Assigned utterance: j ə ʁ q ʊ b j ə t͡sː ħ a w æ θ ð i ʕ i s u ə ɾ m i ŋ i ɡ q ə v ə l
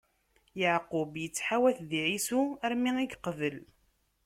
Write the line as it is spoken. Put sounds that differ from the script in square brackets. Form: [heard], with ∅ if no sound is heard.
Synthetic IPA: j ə [ʕ] q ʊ b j ə t͡sː ħ a w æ θ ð i ʕ i s u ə ɾ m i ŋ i ɡ q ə v ə l